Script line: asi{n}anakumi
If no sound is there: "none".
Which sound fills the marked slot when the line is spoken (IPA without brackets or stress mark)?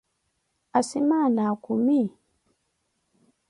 m